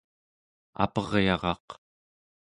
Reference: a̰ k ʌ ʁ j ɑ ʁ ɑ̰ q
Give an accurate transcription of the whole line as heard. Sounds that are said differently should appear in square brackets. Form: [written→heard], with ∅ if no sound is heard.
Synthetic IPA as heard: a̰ [k→p] ʌ ʁ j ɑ ʁ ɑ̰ q